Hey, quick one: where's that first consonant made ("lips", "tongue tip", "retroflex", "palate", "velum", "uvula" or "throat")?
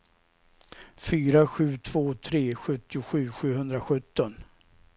lips